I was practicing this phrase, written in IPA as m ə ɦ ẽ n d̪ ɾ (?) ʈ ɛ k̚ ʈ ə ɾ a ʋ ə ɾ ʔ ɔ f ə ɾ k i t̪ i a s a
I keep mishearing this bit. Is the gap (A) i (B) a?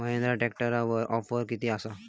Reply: B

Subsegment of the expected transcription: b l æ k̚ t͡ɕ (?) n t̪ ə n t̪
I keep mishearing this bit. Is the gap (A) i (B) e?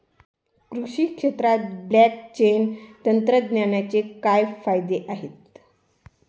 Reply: B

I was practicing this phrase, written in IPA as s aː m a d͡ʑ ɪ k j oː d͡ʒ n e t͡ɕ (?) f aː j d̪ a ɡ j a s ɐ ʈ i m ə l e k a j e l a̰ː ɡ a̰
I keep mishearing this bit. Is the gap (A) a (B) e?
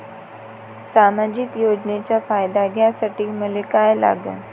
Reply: A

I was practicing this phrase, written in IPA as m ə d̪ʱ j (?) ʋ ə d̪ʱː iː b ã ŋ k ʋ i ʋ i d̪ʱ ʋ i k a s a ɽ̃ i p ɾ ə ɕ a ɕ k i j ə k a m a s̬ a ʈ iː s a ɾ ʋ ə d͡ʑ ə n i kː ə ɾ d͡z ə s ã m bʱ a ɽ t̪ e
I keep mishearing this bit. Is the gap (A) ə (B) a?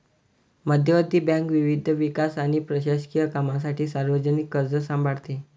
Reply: A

